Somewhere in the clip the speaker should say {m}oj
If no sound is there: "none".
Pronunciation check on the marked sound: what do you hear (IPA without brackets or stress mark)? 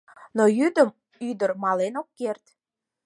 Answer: n